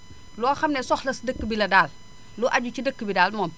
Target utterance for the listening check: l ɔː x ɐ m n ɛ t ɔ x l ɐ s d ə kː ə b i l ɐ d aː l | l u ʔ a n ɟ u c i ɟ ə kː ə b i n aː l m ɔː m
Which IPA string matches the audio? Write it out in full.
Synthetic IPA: l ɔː x ɐ m n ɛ s ɔ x l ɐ s d ə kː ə b i l ɐ d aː l | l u ʔ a ɟ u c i d ə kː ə b i d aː l m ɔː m